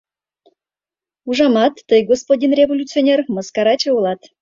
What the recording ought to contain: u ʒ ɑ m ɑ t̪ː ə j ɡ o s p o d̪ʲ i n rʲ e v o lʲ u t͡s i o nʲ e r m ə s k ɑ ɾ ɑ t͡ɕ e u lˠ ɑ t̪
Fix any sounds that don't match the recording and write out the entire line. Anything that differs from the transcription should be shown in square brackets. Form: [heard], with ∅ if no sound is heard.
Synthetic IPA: u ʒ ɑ m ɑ t̪ː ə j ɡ o s p o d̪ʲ i n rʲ e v o lʲ u t͡s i o nʲ e r m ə s k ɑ ɾ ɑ t͡ɕ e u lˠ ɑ t̪